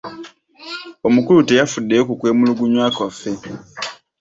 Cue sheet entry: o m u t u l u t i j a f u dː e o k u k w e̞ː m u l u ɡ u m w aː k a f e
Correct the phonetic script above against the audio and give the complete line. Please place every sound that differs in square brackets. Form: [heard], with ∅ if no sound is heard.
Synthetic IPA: o m u [k] u l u t [e] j a f u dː e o k u k w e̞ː m u l u ɡ u [ɲ] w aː k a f e